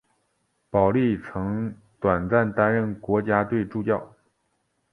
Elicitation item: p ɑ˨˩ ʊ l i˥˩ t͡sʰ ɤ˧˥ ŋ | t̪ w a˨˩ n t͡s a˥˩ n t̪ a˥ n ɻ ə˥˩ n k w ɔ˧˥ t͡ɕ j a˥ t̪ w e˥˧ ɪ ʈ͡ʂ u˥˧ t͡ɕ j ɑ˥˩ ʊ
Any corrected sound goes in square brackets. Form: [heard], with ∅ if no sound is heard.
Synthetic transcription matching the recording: p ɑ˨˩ ʊ l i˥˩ t͡sʰ ɤ˧˥ ŋ | t̪ w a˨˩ n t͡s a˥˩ n t̪ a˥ n ɻ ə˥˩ n k w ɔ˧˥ t͡ɕ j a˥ t̪ w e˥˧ ɪ ʈ͡ʂ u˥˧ t͡ɕ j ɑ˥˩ ʊ

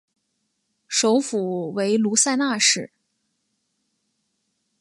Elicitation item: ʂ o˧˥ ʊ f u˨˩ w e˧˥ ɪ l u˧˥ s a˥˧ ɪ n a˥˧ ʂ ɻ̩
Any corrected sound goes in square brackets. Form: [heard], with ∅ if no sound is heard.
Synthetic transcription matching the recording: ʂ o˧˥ ʊ f u˨˩ w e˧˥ ɪ l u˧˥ s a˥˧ ɪ n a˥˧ ʂ ɻ̩

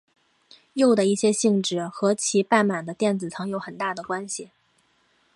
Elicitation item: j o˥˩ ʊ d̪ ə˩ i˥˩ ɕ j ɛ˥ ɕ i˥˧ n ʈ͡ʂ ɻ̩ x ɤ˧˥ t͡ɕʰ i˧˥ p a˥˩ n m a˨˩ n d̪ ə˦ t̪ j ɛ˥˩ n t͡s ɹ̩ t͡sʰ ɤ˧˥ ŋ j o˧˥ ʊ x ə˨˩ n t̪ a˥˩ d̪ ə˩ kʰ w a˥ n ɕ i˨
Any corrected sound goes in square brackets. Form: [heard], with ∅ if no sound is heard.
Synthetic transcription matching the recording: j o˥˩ ʊ d̪ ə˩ i˥˩ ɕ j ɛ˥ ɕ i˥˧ [ŋ] ʈ͡ʂ ɻ̩ x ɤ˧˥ t͡ɕʰ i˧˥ p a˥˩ n m a˨˩ n d̪ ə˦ t̪ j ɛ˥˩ n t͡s ɹ̩ t͡sʰ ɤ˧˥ ŋ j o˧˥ ʊ x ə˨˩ n t̪ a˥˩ d̪ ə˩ [k] w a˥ n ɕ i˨

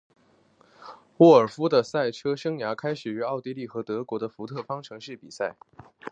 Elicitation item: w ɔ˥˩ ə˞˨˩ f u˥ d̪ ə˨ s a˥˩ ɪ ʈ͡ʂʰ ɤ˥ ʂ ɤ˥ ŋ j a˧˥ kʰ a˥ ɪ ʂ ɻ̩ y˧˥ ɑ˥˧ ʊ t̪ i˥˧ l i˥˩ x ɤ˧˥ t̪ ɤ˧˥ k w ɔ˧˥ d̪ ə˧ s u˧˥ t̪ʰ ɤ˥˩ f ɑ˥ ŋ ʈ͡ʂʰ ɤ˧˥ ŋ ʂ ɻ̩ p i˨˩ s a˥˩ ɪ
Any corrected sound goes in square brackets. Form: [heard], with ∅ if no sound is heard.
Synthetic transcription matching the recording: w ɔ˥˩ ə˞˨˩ f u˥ d̪ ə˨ s a˥˩ ɪ ʈ͡ʂʰ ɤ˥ ʂ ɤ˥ ŋ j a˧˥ kʰ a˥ ɪ ʂ ɻ̩ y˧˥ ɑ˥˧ ʊ t̪ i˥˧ l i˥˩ x ɤ˧˥ t̪ ɤ˧˥ k w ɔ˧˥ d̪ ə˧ [f] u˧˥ t̪ʰ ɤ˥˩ f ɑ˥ ŋ ʈ͡ʂʰ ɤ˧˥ ŋ ʂ ɻ̩ p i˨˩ s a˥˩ ɪ

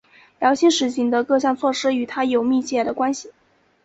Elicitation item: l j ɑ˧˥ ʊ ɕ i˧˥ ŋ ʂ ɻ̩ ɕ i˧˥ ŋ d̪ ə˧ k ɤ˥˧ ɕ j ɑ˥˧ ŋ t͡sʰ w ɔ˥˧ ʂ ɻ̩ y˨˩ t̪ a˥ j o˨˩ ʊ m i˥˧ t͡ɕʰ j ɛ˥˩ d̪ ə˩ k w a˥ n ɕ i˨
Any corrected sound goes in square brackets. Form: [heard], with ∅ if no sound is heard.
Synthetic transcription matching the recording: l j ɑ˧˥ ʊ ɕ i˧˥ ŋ ʂ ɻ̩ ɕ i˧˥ ŋ d̪ ə˧ k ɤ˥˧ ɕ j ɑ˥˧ ŋ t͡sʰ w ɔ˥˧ ʂ ɻ̩ y˨˩ [t̪ʰ] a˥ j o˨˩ ʊ m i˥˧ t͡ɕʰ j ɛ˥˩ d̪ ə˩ k w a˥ n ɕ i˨

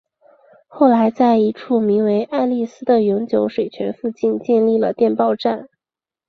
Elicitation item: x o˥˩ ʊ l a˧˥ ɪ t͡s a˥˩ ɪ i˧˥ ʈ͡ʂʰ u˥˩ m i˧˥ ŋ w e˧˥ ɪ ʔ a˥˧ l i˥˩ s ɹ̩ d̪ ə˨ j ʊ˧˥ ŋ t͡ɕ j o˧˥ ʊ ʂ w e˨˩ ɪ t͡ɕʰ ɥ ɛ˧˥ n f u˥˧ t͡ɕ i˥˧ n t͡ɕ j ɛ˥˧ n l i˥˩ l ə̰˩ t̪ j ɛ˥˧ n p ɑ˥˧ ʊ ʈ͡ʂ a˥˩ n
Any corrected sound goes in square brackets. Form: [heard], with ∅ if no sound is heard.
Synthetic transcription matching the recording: x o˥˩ ʊ l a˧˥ ɪ t͡s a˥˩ ɪ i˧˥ ʈ͡ʂʰ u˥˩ m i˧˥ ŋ w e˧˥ ɪ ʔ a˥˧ l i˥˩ s ɹ̩ d̪ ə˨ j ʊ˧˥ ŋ t͡ɕ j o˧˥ ʊ ʂ w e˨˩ ɪ t͡ɕʰ ɥ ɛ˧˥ n f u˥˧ t͡ɕ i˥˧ n t͡ɕ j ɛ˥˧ n l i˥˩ l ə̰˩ t̪ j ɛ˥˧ n p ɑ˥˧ ʊ ʈ͡ʂ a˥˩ n

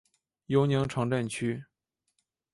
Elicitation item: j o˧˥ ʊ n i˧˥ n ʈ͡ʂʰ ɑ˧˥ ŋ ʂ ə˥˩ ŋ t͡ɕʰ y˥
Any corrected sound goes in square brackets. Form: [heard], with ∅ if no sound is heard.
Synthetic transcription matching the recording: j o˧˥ ʊ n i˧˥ [ŋ] ʈ͡ʂʰ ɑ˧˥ ŋ [ʈ͡ʂ] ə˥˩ [n] t͡ɕʰ y˥

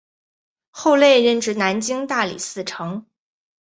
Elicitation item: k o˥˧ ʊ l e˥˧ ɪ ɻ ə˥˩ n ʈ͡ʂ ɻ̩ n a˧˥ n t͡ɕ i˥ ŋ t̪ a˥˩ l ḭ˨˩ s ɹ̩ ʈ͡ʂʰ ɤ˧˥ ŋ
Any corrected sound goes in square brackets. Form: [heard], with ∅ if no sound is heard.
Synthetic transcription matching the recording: [x] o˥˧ ʊ l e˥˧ ɪ ɻ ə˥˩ n ʈ͡ʂ ɻ̩ n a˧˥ n t͡ɕ i˥ ŋ t̪ a˥˩ l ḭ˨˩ s ɹ̩ ʈ͡ʂʰ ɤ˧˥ ŋ

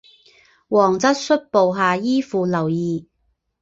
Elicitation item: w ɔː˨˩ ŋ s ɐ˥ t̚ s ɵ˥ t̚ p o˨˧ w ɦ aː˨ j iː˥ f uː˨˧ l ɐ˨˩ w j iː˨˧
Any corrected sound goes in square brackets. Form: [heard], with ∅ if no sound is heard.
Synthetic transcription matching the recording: w ɔː˨˩ ŋ [t͡s] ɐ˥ t̚ s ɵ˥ t̚ p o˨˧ w ɦ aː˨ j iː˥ f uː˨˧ l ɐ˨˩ w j iː˨˧

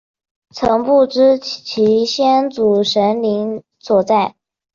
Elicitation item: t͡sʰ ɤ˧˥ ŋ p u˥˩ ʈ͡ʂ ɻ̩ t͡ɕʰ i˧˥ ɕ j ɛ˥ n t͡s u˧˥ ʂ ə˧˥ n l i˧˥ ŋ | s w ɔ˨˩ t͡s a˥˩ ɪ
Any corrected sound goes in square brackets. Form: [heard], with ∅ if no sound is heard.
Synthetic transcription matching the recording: t͡sʰ ɤ˧˥ ŋ p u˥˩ ʈ͡ʂ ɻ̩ t͡ɕʰ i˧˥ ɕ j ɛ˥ n t͡s [u˨˩] ʂ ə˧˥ n l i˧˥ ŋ | s w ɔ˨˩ t͡s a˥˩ ɪ

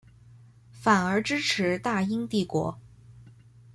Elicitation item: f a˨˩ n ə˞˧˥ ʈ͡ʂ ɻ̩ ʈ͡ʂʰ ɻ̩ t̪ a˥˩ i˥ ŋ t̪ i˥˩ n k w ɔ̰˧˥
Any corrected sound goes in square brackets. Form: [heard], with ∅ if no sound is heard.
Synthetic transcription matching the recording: f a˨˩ n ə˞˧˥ ʈ͡ʂ ɻ̩ ʈ͡ʂʰ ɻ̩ t̪ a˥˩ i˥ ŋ t̪ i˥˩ [∅] k w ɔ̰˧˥

